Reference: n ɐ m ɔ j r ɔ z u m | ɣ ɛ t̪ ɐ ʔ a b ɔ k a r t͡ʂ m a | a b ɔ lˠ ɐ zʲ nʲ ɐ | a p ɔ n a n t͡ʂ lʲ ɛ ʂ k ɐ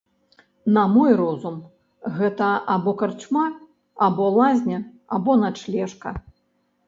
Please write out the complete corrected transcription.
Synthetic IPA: n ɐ m ɔ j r ɔ z u m | ɣ ɛ t̪ ɐ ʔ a b ɔ k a r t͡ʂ m a | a b ɔ lˠ a zʲ nʲ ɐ | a b ɔ n a t͡ʂ lʲ ɛ ʂ k ɐ